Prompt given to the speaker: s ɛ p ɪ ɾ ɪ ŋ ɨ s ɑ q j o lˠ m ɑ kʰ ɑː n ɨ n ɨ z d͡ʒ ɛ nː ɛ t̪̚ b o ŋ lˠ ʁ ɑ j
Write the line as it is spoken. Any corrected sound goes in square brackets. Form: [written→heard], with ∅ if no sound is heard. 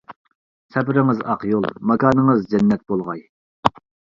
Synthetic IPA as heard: s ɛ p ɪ ɾ ɪ ŋ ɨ [s→z] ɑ q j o lˠ m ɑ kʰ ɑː n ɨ [n→ŋ] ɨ z d͡ʒ ɛ nː ɛ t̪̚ b o [ŋ→∅] lˠ ʁ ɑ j

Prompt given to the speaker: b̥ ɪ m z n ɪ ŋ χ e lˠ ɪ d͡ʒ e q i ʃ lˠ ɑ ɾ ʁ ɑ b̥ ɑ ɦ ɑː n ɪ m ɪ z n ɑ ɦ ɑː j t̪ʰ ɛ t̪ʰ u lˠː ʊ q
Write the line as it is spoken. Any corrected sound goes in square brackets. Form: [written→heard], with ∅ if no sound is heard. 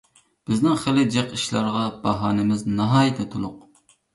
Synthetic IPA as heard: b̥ ɪ [m→∅] z n ɪ ŋ χ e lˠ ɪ d͡ʒ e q i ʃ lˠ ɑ ɾ ʁ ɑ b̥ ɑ ɦ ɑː n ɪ m ɪ z n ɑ ɦ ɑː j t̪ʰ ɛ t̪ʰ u [lˠː→lˠ] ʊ q

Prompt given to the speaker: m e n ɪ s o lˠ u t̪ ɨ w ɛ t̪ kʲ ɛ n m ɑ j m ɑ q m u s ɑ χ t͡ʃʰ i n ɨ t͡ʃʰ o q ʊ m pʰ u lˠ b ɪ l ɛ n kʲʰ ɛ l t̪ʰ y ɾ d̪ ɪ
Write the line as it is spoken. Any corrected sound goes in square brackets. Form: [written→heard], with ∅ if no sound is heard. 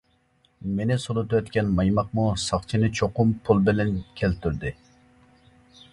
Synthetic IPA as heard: m e n ɪ s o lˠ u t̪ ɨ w ɛ t̪ kʲ ɛ n m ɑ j m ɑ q m u s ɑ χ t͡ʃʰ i n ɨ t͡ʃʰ o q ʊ m pʰ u lˠ b ɪ l ɛ n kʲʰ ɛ l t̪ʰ y ɾ d̪ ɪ

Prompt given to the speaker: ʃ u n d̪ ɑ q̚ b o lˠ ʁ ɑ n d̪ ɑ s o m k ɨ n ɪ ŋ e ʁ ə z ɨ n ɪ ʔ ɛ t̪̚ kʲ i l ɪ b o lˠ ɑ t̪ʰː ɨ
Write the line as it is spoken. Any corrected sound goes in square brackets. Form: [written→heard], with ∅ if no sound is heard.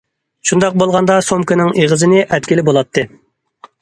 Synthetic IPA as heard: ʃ u n d̪ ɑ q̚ b o lˠ ʁ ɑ n d̪ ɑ s o m k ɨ n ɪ ŋ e ʁ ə z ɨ n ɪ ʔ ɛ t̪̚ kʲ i l ɪ b o lˠ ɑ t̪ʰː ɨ

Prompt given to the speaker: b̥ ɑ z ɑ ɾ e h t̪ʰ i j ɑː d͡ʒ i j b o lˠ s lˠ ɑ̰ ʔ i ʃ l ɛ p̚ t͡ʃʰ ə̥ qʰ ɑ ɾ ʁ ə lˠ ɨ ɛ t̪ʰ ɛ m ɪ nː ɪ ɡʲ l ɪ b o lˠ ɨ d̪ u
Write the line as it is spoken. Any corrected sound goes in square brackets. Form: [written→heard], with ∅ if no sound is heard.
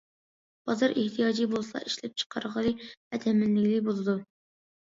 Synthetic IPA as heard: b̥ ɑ z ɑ ɾ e h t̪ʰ i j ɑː d͡ʒ i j b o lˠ s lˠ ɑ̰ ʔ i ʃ l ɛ p̚ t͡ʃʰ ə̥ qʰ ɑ ɾ ʁ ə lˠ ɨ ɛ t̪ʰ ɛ m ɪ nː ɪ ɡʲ l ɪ b o lˠ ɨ d̪ u

